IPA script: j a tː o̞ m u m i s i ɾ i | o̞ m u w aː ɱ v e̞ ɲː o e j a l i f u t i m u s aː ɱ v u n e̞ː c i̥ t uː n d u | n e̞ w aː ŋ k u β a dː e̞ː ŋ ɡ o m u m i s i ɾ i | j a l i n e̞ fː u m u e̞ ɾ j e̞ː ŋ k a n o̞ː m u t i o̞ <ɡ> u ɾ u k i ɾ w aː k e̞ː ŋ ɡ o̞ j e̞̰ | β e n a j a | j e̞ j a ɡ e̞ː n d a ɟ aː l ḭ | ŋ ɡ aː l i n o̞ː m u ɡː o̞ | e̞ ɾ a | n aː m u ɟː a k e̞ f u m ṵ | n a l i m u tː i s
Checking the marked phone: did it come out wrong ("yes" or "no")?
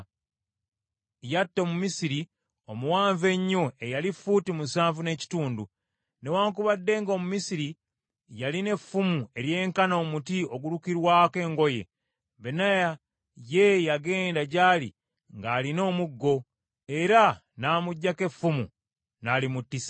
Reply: no